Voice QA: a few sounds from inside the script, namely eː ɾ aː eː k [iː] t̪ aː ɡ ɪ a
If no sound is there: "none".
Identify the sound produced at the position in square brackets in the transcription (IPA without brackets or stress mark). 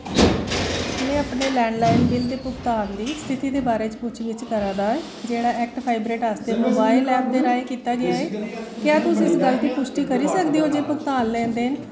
iː